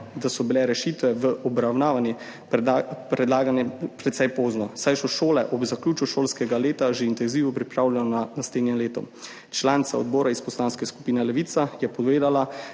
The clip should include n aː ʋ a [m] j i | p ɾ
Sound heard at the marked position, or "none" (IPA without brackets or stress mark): n